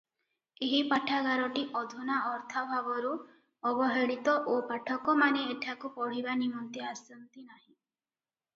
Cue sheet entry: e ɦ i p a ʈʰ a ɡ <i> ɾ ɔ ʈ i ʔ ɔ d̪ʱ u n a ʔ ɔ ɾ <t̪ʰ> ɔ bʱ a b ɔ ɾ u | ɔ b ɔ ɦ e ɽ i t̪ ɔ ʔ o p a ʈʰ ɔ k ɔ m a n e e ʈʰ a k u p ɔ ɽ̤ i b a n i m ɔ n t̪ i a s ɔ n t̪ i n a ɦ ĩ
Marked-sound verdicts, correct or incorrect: incorrect: a, correct

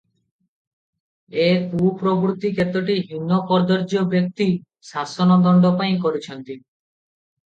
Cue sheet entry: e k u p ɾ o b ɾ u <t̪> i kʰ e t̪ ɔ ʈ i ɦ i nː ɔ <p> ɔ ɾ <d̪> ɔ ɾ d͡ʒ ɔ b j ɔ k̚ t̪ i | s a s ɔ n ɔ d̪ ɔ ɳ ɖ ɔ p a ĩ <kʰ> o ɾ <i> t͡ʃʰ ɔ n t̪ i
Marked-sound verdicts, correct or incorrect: correct, correct, correct, incorrect: k, correct

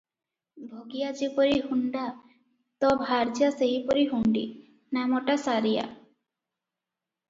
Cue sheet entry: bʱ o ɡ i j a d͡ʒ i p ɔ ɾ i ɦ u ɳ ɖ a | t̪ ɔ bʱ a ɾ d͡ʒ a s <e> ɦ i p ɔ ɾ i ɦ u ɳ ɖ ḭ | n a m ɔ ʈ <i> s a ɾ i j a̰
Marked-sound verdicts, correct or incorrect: correct, incorrect: a

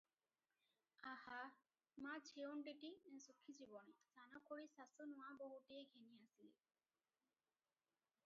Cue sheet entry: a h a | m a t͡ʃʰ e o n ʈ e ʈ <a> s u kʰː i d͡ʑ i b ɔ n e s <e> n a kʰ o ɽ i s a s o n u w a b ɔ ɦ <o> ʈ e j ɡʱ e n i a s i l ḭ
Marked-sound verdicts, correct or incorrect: incorrect: i, incorrect: a, incorrect: u

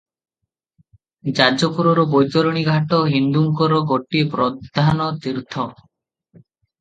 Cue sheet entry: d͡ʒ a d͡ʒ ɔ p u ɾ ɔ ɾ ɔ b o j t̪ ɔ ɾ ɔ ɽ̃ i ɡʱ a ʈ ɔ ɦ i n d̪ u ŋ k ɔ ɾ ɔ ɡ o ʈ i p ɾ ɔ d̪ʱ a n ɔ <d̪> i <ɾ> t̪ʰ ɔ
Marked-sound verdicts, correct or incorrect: incorrect: t̪, correct

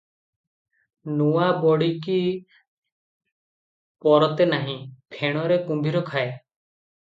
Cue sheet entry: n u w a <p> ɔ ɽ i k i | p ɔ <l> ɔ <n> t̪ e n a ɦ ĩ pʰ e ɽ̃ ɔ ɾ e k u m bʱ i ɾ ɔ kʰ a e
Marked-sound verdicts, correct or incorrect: incorrect: b, incorrect: ɾ, incorrect: none

